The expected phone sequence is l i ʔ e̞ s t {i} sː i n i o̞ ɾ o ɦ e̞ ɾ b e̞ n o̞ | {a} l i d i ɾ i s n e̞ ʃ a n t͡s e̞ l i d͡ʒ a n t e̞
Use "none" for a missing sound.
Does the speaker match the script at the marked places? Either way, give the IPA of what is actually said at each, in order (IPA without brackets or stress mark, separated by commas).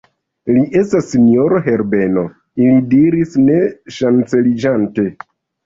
a, i